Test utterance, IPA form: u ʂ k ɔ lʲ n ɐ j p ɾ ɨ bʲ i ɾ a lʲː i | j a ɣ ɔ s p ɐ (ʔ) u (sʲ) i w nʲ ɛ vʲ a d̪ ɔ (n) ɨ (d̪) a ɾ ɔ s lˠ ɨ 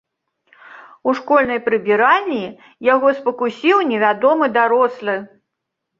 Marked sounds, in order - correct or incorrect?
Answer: incorrect: k, correct, incorrect: m, correct

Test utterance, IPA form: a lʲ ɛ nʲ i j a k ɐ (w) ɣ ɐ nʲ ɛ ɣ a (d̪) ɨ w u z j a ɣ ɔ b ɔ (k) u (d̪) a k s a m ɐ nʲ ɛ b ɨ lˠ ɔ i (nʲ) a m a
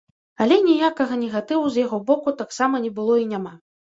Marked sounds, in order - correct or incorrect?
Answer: incorrect: none, incorrect: t̪, correct, incorrect: t̪, correct

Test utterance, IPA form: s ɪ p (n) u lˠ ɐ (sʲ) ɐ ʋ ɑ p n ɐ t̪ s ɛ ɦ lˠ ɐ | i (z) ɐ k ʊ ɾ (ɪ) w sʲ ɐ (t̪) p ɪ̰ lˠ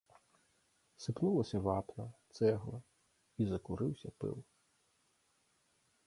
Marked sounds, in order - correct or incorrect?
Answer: correct, correct, correct, correct, incorrect: none

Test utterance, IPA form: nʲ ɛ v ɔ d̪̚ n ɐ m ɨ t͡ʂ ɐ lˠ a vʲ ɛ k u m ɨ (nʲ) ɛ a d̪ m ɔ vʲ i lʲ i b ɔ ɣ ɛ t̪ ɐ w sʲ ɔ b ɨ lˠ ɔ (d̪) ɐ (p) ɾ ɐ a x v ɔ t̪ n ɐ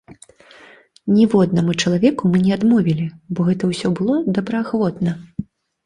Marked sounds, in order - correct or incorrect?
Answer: correct, correct, incorrect: b

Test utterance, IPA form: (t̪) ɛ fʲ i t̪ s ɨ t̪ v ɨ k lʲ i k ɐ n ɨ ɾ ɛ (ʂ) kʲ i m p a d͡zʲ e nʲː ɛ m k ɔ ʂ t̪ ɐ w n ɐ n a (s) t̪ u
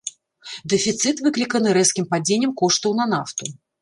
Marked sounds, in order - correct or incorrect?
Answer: incorrect: d̪, incorrect: s, incorrect: f

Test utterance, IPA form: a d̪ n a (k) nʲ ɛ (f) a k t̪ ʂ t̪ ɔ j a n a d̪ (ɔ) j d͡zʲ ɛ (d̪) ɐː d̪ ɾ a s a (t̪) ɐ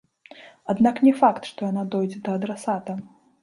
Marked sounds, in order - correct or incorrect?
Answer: correct, correct, correct, correct, correct

